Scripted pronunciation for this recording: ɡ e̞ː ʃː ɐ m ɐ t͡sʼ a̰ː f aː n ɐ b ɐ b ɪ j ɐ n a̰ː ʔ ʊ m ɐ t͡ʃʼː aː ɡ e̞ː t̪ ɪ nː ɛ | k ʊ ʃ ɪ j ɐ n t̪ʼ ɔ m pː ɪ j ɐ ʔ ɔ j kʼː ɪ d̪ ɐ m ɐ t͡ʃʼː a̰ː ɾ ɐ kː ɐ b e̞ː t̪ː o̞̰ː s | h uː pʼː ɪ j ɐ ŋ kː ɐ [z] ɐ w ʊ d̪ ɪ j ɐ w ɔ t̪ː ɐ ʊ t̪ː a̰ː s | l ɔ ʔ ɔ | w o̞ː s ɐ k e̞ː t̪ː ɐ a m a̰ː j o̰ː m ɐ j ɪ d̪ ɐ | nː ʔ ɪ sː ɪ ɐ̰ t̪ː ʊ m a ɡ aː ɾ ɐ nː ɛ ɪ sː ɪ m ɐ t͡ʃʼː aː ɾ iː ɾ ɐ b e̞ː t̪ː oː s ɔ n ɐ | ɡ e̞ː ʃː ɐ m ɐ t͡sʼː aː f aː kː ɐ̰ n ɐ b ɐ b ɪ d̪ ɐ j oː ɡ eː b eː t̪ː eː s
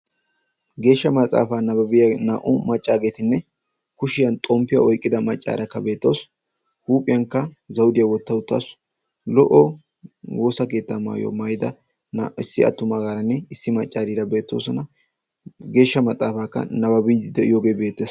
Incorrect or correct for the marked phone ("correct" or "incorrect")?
correct